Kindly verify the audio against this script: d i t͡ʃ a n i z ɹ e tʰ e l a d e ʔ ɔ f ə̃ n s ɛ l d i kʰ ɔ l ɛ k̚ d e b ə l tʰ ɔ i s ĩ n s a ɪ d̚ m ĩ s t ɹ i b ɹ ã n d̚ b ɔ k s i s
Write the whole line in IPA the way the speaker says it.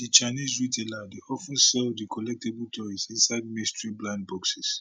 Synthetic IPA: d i t͡ʃ a n i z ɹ i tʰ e l a d e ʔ ɔ f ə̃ n s ɛ l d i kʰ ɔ l ɛ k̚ t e b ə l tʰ ɔ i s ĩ n s a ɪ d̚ m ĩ s t ɹ i b l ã n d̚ b ɔ k s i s